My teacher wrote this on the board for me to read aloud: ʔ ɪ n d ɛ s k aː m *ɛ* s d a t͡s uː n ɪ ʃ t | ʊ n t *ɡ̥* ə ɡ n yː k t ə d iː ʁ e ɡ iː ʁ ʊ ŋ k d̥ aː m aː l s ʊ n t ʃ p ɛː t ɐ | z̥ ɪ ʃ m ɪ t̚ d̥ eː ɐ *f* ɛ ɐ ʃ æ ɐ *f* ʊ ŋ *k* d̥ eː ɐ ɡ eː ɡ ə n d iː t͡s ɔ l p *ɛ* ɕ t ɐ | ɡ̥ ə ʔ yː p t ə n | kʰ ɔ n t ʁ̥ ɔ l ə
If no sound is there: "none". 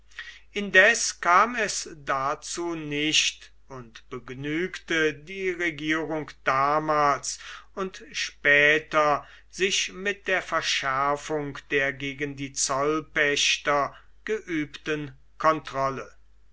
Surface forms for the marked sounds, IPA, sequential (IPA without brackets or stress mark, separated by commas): ɛ, b̥, f, f, k, ɛ